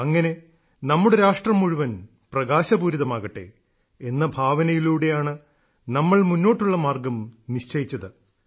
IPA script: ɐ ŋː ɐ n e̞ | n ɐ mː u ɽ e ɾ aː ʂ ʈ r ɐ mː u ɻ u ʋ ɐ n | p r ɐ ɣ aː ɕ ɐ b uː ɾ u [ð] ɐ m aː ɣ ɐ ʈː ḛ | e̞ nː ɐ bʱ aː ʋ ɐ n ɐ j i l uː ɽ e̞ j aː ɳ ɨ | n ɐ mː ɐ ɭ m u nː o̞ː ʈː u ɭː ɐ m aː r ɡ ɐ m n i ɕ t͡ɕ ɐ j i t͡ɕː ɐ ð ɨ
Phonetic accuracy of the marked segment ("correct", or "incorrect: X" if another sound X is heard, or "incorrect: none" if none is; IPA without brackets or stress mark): correct